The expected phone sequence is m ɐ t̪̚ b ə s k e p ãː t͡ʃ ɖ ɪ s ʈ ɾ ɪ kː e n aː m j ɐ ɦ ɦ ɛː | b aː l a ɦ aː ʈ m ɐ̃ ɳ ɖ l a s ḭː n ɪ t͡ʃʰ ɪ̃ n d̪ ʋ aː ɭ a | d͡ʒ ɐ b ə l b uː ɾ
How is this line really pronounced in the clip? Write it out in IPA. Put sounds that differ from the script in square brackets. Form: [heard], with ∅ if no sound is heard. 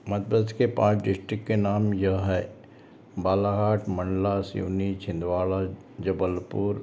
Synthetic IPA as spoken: m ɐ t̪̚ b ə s k e p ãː t͡ʃ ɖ ɪ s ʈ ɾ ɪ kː e n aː m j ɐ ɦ ɦ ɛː | b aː l a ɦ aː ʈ m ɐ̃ ɳ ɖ l a s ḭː n [i] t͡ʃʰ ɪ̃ n d̪ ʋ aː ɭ a | d͡ʒ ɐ b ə l [p] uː ɾ